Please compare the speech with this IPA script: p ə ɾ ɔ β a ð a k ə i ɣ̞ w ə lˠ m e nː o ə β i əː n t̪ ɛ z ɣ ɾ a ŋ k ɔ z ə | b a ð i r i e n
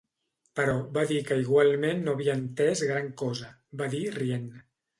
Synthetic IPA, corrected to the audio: p ə ɾ ɔ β a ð i k ə i ɣ̞ w a lˠ m e nː o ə β i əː n t̪ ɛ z ɣ ɾ a ŋ k ɔ z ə | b a ð i r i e n